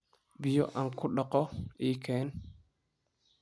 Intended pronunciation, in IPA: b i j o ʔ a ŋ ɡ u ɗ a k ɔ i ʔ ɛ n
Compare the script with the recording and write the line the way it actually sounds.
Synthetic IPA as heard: b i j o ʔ a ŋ k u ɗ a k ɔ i k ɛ n